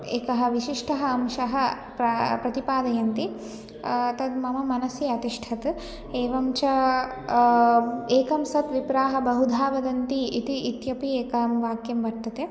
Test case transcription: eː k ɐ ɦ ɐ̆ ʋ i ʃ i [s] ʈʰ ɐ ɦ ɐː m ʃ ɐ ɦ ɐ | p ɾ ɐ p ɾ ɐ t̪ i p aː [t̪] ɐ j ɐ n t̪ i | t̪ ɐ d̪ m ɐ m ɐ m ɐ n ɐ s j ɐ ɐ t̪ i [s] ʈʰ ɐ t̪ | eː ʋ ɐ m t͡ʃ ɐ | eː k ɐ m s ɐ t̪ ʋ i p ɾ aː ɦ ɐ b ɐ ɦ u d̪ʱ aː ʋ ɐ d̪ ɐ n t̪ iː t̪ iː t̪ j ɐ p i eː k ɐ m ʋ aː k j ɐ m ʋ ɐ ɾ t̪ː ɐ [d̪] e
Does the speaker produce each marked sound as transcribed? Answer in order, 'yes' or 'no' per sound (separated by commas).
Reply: no, no, no, no